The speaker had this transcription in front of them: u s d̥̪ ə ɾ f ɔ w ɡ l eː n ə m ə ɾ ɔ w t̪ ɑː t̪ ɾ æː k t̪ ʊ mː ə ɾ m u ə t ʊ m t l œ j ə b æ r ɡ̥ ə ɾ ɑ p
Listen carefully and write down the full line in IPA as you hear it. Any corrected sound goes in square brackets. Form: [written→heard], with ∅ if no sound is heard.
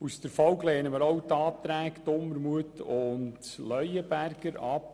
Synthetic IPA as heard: u s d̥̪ ə ɾ f ɔ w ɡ l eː n ə m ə ɾ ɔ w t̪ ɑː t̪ ɾ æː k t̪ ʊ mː ə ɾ m u ə t ʊ [m→n] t l œ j ə b æ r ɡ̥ ə ɾ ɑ p